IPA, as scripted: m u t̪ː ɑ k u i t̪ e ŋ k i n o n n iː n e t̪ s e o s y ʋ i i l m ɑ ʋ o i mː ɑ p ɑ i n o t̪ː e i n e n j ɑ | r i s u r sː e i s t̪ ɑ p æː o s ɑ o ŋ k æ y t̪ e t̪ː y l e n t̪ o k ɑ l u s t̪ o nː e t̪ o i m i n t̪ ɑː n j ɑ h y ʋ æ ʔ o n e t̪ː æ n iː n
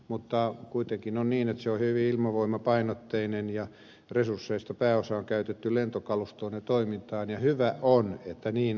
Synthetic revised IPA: m u t̪ː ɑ k u i t̪ e ŋ k i n o n n iː n e t̪ s e o h y ʋ i i l m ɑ ʋ o i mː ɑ p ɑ i n o t̪ː e i n e n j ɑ | r e s u r sː e i s t̪ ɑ p æː o s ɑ o ŋ k æ y t̪ e t̪ː y l e n t̪ o k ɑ l u s t̪ o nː e t̪ o i m i n t̪ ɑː n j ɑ h y ʋ æ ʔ o n e t̪ː æ n iː n